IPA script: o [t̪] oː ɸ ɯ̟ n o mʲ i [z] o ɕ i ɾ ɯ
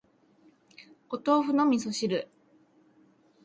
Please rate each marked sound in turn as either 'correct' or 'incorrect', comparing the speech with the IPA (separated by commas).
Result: correct, incorrect